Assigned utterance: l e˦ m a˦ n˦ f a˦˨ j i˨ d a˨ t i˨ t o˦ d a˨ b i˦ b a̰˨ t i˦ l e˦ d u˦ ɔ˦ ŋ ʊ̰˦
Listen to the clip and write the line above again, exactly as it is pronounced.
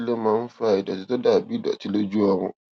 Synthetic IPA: l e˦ m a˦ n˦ f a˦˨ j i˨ d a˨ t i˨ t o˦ d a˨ b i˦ d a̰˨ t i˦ l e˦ d͡ʒ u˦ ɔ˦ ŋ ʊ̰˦

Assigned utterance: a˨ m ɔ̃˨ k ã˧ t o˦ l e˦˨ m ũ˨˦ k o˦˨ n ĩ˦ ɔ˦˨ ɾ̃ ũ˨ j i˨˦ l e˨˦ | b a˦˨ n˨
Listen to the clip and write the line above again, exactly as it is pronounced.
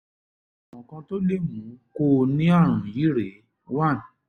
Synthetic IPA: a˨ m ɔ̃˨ k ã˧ t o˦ l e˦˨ m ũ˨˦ k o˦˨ n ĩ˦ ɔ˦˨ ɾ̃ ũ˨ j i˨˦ ɾ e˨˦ | w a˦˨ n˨

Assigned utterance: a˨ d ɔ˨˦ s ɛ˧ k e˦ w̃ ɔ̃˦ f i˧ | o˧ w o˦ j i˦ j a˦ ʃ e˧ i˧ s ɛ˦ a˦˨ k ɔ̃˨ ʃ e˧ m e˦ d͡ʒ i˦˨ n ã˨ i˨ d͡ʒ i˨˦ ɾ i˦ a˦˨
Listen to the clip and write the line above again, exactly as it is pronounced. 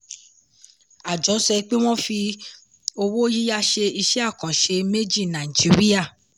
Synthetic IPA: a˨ d͡ʒ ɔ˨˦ s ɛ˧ k͡p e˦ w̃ ɔ̃˦ f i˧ | o˧ w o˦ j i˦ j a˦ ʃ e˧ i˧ ʃ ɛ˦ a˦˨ k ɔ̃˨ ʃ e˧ m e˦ d͡ʒ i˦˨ n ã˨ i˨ d͡ʒ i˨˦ ɾ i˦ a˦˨

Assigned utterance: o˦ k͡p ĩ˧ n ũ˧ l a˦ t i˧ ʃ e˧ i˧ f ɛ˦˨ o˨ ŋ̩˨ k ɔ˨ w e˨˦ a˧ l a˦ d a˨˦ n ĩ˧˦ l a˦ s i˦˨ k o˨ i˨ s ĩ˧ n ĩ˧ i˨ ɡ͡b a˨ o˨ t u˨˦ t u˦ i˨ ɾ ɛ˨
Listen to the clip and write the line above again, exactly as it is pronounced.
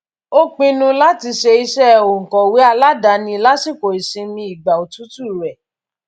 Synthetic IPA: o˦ k͡p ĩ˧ n ũ˧ l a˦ t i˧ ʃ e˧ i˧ ʃ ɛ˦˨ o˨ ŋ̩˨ k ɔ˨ w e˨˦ a˧ l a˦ d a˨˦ n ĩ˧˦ l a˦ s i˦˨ k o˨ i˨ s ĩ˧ m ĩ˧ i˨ ɡ͡b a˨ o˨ t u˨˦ t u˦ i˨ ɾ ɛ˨

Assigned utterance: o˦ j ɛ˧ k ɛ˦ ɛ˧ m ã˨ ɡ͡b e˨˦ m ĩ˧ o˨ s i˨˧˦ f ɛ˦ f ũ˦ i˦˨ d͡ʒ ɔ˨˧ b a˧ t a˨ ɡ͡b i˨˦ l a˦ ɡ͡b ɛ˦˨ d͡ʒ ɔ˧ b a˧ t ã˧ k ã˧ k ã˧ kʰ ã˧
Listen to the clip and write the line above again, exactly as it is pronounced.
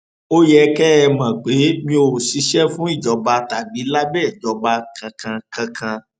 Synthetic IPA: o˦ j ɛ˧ k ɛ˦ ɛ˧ m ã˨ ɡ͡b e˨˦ m ĩ˧ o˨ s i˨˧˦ ʃ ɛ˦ f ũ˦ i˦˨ d͡ʒ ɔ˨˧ b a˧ t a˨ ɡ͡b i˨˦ l a˦ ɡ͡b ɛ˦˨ d͡ʒ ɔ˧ b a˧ k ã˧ k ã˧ k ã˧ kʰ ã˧

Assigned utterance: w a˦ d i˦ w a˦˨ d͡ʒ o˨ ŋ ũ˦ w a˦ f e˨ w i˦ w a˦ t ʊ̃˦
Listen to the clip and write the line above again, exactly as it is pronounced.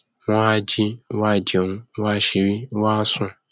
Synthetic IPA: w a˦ d͡ʒ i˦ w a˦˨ d͡ʒ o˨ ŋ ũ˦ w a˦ ʃ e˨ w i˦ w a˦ s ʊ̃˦

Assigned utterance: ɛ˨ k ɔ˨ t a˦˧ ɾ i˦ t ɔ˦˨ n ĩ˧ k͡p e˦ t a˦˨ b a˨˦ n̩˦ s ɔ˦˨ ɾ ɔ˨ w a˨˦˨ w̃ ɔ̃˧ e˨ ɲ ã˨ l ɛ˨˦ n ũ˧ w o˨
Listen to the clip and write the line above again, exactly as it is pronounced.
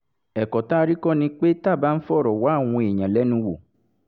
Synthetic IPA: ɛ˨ k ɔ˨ t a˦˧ ɾ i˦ k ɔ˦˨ n ĩ˧ k͡p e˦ t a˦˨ b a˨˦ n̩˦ f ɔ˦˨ ɾ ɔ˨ w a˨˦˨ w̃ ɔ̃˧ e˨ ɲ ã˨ l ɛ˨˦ n ũ˧ w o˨

